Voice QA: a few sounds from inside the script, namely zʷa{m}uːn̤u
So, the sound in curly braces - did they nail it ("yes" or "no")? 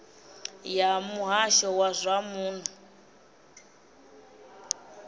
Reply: yes